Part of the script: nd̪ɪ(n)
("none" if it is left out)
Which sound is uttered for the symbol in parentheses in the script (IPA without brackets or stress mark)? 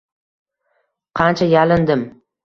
m